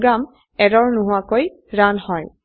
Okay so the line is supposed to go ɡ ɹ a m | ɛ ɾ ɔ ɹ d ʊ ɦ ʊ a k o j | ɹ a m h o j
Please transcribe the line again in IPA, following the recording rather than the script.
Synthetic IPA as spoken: ɡ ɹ a m | ɛ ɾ ɔ ɹ n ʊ ɦ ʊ a k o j | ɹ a n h ɔ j